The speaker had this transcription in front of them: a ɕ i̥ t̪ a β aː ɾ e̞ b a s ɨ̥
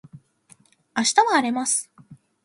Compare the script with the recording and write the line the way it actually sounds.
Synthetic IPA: a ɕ i̥ t̪ a β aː ɾ e̞ m a s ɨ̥